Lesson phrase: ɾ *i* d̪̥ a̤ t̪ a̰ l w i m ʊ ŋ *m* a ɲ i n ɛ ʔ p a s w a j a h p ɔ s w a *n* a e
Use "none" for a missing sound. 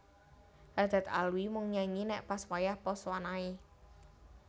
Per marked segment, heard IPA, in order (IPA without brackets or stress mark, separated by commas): a, ɲ, n